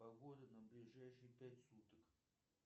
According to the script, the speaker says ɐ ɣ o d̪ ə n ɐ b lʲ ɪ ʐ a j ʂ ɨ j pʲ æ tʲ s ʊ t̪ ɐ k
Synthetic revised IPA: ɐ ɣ o d̪ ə n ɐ b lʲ ɪ ʐ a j ʂ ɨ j pʲ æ tʲ s u t̪ ə k